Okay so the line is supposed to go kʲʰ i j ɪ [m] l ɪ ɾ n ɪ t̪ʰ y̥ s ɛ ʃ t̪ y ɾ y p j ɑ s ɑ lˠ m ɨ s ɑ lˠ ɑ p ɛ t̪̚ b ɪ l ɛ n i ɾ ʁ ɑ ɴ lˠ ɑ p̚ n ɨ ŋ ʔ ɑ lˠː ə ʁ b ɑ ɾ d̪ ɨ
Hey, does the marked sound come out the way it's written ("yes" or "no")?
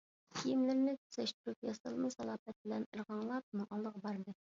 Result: yes